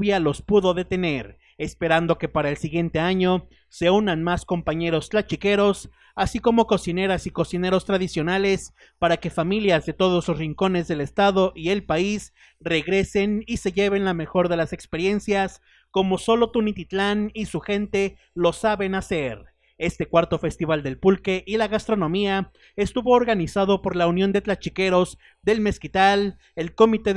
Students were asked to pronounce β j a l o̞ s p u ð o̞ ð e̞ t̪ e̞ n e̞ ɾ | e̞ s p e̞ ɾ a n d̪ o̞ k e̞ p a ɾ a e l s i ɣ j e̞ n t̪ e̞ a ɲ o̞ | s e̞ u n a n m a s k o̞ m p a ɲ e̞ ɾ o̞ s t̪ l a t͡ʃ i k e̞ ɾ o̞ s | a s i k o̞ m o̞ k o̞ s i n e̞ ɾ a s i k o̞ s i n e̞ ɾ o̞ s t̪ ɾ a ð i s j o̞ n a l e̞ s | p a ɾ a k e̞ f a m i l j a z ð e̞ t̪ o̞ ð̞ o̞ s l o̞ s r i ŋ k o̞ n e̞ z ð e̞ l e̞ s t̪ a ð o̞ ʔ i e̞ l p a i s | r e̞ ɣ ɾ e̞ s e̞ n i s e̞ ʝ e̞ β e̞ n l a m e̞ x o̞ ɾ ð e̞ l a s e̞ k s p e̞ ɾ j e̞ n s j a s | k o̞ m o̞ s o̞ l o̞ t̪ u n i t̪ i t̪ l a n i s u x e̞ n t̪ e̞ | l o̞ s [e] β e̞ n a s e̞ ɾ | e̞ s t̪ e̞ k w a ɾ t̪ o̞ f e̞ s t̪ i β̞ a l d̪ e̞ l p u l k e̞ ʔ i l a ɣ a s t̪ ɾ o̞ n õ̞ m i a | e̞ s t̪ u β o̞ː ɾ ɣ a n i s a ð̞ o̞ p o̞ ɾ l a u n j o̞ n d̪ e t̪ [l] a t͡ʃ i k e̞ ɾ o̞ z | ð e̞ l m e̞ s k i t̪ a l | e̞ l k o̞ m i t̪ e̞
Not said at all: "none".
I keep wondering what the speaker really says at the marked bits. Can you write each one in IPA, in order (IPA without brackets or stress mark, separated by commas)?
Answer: a, l